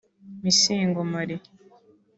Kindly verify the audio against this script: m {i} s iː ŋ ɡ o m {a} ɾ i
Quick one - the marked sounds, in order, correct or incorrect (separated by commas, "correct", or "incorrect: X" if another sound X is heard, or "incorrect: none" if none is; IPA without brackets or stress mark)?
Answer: correct, correct